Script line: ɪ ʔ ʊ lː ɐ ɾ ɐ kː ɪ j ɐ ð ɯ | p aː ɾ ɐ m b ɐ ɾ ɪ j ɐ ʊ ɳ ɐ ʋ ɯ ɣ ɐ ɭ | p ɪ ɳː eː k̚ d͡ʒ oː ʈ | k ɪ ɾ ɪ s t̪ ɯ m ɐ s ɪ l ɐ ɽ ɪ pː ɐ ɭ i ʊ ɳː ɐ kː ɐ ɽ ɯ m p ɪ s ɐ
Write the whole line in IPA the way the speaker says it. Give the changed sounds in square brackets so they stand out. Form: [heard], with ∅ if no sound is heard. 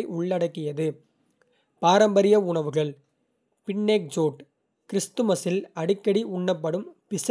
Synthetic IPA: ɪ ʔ ʊ [ɭː] ɐ [ɽ] ɐ kː ɪ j ɐ ð ɯ | p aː ɾ ɐ m b ɐ ɾ ɪ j ɐ ʊ ɳ ɐ ʋ ɯ ɣ ɐ ɭ | p ɪ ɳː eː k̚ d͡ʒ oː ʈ | k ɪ ɾ ɪ s t̪ ɯ m ɐ s ɪ l ɐ ɽ ɪ [kː] ɐ [ɽ] i ʊ ɳː ɐ [pː] ɐ ɽ ɯ m p ɪ s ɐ